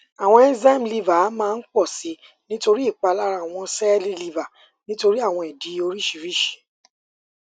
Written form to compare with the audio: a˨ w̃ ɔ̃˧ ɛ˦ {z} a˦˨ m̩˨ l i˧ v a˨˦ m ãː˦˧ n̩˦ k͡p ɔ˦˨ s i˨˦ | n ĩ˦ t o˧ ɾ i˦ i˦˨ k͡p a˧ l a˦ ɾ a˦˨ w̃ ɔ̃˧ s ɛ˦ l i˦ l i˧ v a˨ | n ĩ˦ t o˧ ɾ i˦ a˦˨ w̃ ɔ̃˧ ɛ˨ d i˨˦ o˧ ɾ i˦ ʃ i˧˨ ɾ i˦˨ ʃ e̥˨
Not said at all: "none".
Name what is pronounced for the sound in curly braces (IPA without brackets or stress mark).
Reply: z